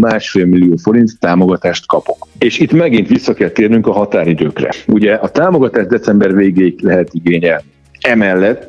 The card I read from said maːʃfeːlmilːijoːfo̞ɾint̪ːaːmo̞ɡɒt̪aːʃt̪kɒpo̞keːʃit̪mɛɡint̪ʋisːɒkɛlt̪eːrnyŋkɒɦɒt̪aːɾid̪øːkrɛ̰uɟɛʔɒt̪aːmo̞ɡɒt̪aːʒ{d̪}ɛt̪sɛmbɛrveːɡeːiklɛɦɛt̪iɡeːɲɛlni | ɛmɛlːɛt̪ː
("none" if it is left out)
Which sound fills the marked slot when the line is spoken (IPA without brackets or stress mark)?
d̪